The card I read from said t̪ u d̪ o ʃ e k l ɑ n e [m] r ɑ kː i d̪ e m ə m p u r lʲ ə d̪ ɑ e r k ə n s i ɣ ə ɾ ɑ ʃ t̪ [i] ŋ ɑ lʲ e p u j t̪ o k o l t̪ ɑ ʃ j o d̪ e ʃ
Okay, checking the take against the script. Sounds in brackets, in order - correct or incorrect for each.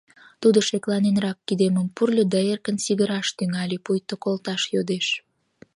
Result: incorrect, incorrect

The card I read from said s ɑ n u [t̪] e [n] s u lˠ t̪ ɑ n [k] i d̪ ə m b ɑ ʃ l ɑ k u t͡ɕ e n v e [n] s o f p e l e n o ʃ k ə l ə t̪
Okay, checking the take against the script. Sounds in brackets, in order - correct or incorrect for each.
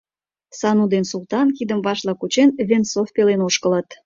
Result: incorrect, correct, correct, correct

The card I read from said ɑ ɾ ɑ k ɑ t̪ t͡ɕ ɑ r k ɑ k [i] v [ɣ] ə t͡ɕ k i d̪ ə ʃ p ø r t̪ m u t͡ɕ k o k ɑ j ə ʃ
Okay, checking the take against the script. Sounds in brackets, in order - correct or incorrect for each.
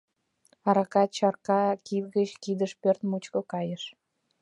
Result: correct, correct

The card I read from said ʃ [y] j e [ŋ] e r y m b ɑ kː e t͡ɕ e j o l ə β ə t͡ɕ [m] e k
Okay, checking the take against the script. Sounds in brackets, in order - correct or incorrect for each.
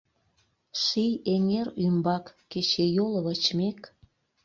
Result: incorrect, correct, correct

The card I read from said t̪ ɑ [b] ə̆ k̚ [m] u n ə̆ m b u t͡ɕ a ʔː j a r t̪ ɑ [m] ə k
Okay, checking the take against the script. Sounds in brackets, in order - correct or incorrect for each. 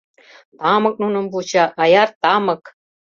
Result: incorrect, incorrect, correct

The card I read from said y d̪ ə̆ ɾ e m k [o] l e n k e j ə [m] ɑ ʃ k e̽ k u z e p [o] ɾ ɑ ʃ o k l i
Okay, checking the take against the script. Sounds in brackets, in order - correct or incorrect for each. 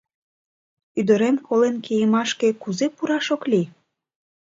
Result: correct, correct, incorrect

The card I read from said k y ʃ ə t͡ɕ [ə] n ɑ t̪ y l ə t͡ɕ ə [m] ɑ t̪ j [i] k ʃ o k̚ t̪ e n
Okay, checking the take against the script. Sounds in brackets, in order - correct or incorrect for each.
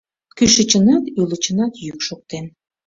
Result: correct, incorrect, incorrect

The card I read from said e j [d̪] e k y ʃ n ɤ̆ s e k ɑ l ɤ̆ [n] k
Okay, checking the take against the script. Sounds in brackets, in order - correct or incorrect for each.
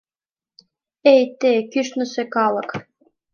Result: incorrect, incorrect

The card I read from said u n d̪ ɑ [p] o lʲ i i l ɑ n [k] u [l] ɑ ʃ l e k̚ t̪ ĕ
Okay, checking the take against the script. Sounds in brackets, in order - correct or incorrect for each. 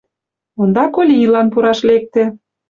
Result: incorrect, incorrect, incorrect

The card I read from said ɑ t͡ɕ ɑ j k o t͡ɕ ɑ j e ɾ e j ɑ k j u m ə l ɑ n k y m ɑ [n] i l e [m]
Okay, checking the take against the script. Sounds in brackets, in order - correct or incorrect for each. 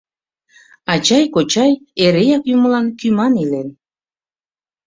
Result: correct, incorrect

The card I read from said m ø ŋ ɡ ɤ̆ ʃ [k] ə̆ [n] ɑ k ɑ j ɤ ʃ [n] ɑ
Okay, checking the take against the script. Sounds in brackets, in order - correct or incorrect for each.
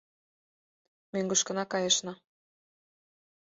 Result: correct, correct, correct

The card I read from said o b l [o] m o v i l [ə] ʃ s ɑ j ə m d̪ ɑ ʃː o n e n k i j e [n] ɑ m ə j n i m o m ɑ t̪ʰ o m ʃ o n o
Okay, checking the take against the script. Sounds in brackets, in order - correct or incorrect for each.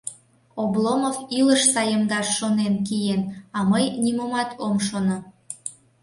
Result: correct, correct, correct

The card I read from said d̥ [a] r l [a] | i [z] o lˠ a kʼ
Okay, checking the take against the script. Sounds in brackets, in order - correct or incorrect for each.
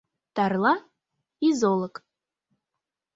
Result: correct, correct, correct

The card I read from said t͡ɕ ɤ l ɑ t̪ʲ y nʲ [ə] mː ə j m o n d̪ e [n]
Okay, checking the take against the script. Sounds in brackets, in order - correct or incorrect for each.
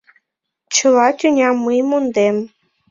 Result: incorrect, incorrect

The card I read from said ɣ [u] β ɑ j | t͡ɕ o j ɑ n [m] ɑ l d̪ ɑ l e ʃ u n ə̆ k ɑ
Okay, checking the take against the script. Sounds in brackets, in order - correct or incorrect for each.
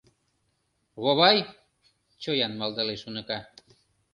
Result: incorrect, correct

